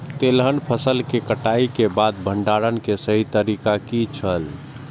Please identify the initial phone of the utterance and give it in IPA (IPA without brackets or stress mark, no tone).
t̪